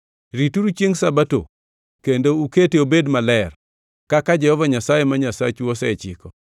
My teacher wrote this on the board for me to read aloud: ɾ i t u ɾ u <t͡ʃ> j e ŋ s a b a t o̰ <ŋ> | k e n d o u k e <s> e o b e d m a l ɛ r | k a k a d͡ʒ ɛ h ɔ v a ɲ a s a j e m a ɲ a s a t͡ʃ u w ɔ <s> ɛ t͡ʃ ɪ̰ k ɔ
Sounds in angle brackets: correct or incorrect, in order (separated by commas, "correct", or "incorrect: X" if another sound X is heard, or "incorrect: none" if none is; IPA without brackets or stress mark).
correct, incorrect: none, incorrect: t, correct